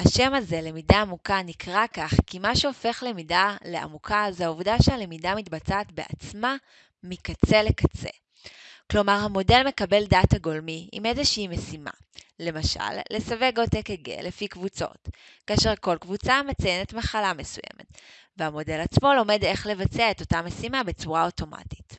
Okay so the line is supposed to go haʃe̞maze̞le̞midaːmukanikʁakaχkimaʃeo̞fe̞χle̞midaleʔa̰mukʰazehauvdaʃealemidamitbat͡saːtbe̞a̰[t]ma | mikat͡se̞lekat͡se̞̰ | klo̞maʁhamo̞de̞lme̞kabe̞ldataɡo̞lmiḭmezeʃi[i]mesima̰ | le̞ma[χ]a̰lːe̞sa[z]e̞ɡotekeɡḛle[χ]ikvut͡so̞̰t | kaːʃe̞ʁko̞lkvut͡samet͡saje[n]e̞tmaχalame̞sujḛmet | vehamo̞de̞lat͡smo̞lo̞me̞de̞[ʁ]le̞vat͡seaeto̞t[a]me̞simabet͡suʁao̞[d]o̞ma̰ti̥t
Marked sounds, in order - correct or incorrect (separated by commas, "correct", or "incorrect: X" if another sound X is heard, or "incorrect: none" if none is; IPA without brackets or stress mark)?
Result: incorrect: t͡s, correct, incorrect: ʃ, incorrect: v, incorrect: f, correct, incorrect: χ, correct, incorrect: t